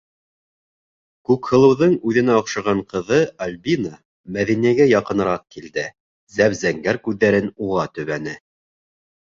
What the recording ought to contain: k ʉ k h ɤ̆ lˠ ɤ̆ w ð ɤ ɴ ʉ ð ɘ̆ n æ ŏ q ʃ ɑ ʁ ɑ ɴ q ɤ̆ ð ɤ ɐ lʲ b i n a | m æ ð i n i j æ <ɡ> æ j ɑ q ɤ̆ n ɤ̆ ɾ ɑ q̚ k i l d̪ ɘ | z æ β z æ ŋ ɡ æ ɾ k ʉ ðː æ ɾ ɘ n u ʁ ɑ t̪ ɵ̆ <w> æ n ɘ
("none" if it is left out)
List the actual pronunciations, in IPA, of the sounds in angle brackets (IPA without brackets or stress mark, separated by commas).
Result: ɡ, β